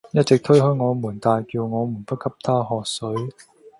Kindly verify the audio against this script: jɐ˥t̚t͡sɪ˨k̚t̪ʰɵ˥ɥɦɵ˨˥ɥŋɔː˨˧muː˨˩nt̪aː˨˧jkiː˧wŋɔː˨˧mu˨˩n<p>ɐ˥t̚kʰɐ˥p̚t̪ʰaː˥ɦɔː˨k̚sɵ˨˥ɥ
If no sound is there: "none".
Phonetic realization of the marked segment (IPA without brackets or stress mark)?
p